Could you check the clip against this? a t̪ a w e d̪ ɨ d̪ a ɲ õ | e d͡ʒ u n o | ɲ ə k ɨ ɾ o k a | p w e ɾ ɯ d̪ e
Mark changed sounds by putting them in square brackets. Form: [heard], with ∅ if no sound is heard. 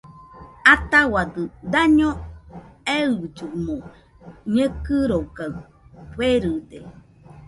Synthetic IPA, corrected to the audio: a t̪ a w [a] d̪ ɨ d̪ a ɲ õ | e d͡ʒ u [m] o | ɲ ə k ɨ ɾ o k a | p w e ɾ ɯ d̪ e